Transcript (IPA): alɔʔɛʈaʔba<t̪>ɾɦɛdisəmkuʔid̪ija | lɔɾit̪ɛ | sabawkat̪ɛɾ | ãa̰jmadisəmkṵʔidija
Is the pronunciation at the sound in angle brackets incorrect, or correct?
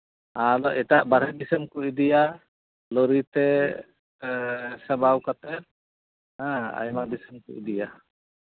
incorrect: none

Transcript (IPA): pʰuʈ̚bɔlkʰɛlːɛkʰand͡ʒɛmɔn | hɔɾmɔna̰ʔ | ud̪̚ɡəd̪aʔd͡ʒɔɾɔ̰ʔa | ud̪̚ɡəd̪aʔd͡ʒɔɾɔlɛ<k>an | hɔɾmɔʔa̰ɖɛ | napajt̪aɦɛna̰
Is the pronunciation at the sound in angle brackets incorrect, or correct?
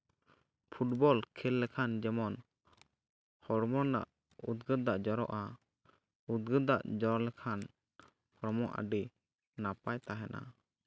incorrect: kʰ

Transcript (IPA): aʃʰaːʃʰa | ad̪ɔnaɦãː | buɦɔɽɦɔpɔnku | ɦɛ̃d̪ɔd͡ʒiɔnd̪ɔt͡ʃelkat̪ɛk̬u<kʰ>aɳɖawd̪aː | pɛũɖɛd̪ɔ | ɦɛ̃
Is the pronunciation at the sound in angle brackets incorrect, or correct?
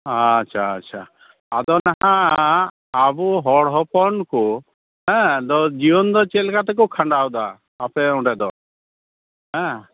correct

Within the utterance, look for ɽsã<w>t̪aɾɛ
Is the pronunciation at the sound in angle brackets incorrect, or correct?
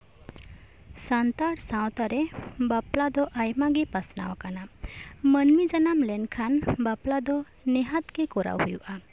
correct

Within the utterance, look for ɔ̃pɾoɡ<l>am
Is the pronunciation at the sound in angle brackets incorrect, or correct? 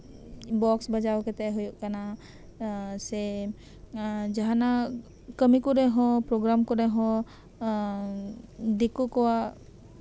incorrect: ɾ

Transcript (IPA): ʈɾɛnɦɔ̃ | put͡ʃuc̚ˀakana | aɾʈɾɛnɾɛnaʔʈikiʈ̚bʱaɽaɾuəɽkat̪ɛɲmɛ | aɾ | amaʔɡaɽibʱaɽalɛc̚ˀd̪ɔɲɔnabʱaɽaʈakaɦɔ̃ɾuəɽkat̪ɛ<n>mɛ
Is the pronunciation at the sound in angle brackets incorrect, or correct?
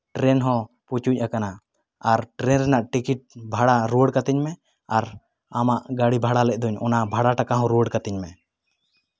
incorrect: ɲ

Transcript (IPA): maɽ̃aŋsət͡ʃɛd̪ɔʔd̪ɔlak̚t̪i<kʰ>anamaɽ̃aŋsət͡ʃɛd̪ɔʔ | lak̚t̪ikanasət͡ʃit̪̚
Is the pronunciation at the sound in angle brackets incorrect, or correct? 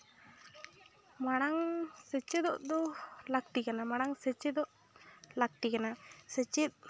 incorrect: k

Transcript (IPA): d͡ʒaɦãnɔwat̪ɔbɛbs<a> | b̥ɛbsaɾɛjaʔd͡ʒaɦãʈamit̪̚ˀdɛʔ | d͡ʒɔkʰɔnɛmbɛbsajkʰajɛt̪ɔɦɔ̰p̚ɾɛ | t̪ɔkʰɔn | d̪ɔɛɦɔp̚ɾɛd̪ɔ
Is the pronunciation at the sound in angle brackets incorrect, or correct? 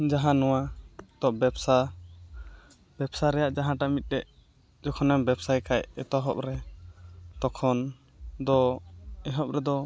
correct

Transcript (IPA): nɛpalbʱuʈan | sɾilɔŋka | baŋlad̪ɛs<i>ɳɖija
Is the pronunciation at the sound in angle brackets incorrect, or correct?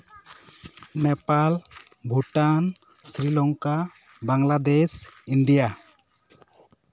correct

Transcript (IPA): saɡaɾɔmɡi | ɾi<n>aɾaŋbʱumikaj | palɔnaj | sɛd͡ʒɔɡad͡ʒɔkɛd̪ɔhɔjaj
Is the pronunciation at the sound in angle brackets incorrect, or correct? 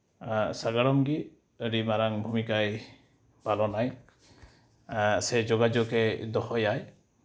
incorrect: m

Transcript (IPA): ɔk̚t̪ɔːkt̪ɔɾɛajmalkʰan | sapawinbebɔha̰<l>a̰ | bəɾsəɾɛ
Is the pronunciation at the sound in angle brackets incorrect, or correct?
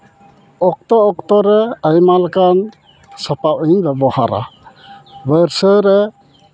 incorrect: ɾ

